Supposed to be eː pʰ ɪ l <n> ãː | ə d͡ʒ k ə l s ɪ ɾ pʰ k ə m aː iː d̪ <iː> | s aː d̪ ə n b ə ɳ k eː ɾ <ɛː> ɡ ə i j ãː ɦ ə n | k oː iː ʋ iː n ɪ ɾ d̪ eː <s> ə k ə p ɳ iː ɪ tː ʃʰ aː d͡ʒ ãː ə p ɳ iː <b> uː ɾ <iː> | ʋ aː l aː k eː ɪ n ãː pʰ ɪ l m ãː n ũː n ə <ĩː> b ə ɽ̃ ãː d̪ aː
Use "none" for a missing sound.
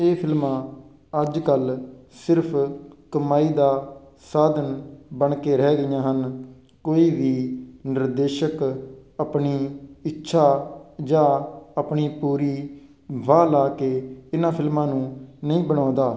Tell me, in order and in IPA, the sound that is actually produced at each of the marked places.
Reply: m, aː, ɛː, ʃ, p, iː, ĩː

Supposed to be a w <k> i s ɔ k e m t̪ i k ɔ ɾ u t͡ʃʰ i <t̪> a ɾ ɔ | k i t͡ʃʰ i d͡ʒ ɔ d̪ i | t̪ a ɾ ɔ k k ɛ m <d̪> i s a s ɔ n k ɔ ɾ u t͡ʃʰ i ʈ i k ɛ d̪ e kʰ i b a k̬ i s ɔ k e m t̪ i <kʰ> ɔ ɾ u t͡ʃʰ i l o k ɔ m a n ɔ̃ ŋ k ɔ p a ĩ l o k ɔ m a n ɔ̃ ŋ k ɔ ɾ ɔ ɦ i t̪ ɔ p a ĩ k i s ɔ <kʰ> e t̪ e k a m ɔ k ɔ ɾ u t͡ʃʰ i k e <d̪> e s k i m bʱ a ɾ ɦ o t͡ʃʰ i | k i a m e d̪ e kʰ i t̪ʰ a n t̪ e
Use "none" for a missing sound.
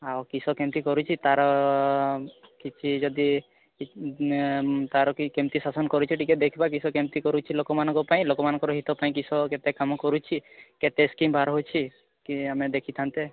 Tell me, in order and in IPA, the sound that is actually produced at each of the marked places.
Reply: k, t̪, t̪, k, k, t̪

